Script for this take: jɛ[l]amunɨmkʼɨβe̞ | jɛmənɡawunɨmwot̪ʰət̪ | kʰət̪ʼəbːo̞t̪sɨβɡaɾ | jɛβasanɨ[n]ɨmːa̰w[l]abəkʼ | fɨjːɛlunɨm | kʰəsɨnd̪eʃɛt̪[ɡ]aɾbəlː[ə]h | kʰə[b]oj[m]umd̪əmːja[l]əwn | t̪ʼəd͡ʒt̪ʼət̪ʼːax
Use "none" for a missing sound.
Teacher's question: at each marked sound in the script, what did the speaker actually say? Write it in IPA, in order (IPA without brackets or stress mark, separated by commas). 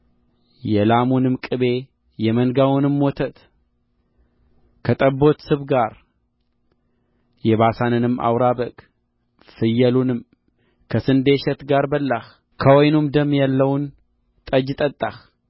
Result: l, n, ɾ, ɡ, a, w, n, lː